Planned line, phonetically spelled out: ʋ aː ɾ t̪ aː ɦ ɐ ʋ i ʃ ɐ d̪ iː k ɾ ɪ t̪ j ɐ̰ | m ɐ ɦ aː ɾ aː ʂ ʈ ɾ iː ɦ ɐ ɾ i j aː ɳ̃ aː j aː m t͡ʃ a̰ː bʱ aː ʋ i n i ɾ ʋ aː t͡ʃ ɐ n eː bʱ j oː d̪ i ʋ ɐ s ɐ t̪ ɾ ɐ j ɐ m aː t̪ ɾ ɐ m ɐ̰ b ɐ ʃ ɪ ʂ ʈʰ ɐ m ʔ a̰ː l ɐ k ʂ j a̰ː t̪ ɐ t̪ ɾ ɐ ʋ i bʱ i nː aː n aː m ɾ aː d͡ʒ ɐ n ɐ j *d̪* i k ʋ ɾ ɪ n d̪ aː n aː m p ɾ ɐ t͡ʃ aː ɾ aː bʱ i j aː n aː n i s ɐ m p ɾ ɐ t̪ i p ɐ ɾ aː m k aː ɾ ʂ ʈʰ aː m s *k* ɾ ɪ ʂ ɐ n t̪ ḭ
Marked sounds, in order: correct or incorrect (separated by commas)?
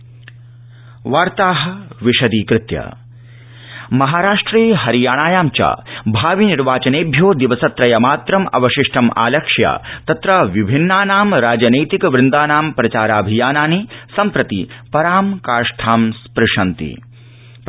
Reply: incorrect, incorrect